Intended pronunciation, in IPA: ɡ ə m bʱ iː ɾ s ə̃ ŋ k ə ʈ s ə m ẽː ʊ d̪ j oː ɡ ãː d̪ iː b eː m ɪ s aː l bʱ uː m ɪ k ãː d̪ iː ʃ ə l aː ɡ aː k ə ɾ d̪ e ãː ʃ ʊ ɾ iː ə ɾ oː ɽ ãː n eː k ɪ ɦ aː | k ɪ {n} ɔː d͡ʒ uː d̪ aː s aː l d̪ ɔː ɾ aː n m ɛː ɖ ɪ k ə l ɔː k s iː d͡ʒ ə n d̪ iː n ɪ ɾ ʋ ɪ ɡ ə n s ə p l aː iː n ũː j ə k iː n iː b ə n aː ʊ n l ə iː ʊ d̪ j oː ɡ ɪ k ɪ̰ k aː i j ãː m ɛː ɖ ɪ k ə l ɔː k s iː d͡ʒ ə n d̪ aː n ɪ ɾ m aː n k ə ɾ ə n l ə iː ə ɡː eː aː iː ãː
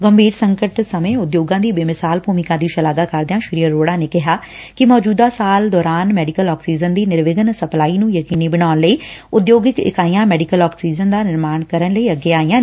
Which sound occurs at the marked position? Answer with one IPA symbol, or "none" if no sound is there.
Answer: m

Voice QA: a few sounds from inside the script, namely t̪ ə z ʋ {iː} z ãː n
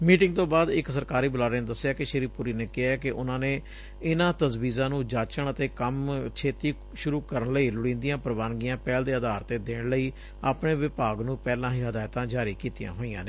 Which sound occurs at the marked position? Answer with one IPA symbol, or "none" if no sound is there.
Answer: iː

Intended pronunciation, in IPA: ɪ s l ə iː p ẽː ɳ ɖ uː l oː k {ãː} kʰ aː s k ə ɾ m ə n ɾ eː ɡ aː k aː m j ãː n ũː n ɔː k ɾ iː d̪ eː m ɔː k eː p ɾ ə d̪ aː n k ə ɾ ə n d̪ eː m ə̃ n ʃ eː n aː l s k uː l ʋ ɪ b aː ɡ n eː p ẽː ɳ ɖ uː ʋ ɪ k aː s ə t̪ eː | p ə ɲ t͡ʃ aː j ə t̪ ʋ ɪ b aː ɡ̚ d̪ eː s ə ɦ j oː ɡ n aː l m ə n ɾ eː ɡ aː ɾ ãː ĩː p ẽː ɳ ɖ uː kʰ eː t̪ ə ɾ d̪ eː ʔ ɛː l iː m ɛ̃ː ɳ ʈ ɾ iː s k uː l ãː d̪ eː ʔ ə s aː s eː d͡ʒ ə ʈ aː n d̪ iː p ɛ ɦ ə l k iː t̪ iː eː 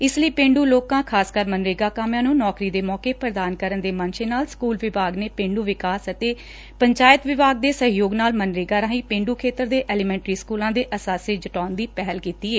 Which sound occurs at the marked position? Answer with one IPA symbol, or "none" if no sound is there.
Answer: ãː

